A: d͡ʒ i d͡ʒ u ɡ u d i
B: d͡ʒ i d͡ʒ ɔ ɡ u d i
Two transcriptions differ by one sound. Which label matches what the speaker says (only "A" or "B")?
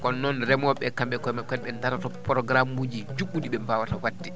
A